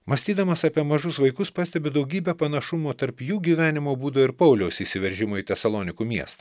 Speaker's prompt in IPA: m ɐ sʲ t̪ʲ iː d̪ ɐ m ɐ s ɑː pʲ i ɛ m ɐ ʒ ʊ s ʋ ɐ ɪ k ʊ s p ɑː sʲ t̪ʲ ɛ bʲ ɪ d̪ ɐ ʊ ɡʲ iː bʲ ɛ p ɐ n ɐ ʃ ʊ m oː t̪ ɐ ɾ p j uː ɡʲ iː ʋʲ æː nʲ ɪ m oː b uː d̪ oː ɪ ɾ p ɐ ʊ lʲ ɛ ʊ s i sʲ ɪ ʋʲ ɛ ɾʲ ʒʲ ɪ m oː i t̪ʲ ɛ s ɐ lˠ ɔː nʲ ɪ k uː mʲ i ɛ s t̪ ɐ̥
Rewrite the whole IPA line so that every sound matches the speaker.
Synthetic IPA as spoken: m ɐ sʲ t̪ʲ iː d̪ ɐ m ɐ s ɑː pʲ i ɛ m ɐ ʒ ʊ s ʋ ɐ ɪ k ʊ s p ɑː sʲ t̪ʲ ɛ bʲ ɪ d̪ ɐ ʊ ɡʲ iː bʲ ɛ p ɐ n ɐ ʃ ʊ m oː t̪ ɐ ɾ p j uː ɡʲ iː ʋʲ æː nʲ ɪ m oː b uː d̪ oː ɪ ɾ p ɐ ʊ lʲ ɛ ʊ s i sʲ ɪ ʋʲ ɛ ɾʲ ʒʲ ɪ m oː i t̪ʲ ɛ s ɐ lˠ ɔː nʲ ɪ k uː mʲ i ɛ s t̪ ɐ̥